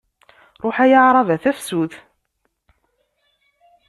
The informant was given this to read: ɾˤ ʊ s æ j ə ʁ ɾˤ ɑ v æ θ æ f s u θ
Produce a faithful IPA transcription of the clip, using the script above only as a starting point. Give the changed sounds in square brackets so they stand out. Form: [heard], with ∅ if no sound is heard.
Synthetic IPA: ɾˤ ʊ [ħ] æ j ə [ʕ] ɾˤ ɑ v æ θ æ f s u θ